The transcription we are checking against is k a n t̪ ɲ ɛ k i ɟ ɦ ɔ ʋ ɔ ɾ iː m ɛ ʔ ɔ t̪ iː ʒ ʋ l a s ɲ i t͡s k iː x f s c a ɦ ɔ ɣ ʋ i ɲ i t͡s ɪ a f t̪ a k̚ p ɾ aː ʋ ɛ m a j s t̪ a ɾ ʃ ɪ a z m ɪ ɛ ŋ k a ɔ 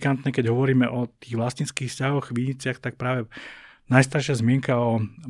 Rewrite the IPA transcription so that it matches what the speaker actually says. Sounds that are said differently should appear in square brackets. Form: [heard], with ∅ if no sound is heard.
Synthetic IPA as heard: k a n t̪ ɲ ɛ k [ɛ] ɟ ɦ ɔ ʋ ɔ ɾ iː m ɛ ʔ ɔ t̪ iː [ɣ] ʋ l a s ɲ i t͡s k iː x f s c a ɦ ɔ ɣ ʋ i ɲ i t͡s ɪ a [x] t̪ a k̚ p ɾ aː ʋ ɛ [n] a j s t̪ a ɾ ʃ ɪ a z m ɪ ɛ ŋ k a ɔ